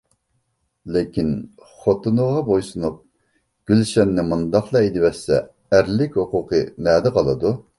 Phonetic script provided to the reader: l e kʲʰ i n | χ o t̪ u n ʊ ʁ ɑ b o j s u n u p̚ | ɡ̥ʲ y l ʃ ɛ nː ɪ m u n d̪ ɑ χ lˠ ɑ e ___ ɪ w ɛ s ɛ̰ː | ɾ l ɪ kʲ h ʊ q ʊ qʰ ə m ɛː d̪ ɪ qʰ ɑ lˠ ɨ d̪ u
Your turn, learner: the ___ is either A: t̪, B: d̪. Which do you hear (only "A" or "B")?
B